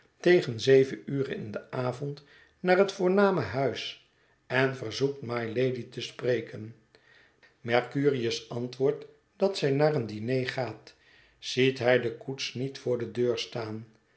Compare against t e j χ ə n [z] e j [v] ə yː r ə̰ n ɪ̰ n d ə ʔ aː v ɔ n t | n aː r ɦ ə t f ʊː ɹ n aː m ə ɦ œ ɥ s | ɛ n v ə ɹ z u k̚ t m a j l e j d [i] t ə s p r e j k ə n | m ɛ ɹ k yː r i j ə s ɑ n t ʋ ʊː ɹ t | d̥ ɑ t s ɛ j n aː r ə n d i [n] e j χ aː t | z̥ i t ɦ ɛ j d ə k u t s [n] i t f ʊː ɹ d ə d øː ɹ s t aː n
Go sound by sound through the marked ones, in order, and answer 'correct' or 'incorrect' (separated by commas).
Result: correct, correct, correct, correct, correct